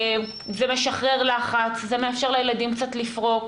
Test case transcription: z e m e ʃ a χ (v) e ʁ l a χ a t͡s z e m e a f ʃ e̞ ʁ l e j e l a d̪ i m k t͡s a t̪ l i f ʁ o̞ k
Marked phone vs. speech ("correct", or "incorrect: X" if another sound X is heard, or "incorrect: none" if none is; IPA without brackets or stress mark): incorrect: ʁ